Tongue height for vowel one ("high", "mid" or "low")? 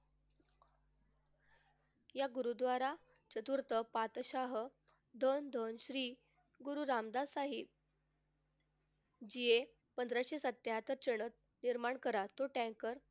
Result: low